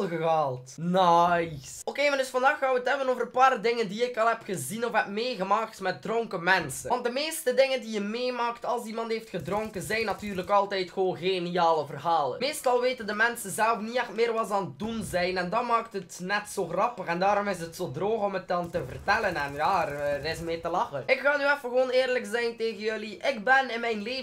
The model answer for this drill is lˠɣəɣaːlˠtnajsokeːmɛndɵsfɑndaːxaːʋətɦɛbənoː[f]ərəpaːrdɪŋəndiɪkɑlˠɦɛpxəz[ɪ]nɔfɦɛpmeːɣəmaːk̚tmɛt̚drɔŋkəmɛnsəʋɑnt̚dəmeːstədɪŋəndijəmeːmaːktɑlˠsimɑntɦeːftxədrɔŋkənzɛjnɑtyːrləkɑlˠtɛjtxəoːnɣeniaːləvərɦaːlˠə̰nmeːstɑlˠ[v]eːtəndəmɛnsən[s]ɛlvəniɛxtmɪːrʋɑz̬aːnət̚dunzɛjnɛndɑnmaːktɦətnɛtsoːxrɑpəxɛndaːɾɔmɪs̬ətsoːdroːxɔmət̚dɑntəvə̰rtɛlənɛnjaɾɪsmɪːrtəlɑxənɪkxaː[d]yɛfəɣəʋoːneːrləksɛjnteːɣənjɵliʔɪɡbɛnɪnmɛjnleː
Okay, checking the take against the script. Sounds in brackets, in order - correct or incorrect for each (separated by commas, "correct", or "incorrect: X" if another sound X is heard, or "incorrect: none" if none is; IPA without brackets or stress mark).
incorrect: v, incorrect: i, incorrect: ʋ, incorrect: z, incorrect: n